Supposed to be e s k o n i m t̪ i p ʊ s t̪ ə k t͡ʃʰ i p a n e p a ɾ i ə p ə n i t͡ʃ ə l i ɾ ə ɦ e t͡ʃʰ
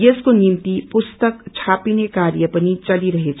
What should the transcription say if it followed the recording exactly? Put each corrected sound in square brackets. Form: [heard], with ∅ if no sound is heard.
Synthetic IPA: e s k o n i m t̪ i p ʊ s t̪ ə k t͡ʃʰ [a] p [i] n e [k] a ɾ [j] ə p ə n i t͡ʃ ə l i ɾ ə ɦ e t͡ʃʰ

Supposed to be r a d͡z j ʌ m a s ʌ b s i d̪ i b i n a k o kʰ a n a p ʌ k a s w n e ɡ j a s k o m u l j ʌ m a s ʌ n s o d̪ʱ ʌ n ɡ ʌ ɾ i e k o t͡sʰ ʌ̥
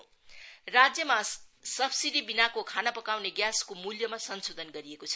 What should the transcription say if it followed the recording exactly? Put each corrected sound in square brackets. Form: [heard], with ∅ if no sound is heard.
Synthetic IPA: r a d͡z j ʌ m a s ʌ b s i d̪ i b i n a k o kʰ a n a p ʌ k a [∅] w n e ɡ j a s k o m u l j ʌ m a s ʌ n s o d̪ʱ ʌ n ɡ ʌ ɾ i e k o t͡sʰ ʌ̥

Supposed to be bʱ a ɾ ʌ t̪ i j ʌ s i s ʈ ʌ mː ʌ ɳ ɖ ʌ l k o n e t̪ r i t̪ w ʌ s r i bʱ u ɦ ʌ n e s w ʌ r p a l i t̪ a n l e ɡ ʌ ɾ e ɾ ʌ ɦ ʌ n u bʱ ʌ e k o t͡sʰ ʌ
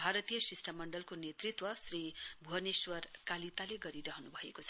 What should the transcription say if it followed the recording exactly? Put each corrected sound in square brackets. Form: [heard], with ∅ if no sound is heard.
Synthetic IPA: bʱ a ɾ ʌ t̪ i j ʌ s i s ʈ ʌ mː ʌ ɳ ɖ ʌ l k o n e t̪ r i t̪ w ʌ s r i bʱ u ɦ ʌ n e s w ʌ r [k] a l i t̪ a [∅] l e ɡ ʌ ɾ [i] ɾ ʌ ɦ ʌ n u bʱ ʌ e k o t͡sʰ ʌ

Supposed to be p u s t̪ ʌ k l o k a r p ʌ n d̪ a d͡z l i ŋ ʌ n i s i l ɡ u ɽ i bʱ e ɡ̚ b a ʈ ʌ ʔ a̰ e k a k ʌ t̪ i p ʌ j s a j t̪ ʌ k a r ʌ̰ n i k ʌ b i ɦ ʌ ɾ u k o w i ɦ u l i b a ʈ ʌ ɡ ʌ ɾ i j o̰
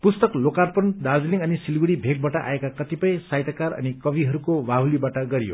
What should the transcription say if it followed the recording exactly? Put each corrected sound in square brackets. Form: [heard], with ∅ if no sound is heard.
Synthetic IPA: p u s t̪ ʌ k l o k a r p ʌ n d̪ a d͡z l i ŋ ʌ n i s i l ɡ u ɽ i bʱ e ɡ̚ b a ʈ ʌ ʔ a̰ e k a k ʌ t̪ i p ʌ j s a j t̪ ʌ k a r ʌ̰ n i k ʌ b i ɦ ʌ ɾ u k o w [a] ɦ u l i b a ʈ ʌ ɡ ʌ ɾ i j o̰

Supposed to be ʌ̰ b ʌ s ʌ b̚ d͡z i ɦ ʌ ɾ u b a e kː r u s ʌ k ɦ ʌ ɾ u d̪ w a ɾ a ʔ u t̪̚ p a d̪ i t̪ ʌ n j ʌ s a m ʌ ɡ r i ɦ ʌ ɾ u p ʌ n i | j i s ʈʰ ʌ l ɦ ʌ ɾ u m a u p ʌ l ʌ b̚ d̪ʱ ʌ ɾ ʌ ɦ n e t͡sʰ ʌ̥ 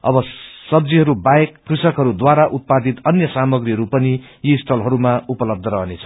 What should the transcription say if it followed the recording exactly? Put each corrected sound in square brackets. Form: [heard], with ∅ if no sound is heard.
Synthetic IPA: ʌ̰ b ʌ s ʌ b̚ d͡z i ɦ ʌ ɾ u b a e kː r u s ʌ k ɦ ʌ ɾ u d̪ w a ɾ a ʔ u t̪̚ p a d̪ i t̪ ʌ n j ʌ s a m ʌ ɡ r i ɦ ʌ ɾ u p ʌ n i | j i s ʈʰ ʌ l ɦ ʌ ɾ u m a u p ʌ l ʌ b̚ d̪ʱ ʌ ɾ ʌ ɦ n e t͡sʰ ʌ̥

